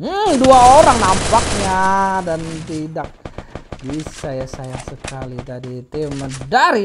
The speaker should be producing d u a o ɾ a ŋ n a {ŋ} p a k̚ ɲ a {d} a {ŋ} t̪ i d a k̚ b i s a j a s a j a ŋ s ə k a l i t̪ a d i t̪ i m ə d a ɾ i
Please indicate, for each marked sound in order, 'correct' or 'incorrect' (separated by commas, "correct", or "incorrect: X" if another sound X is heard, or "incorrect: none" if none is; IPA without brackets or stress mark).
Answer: incorrect: m, correct, incorrect: n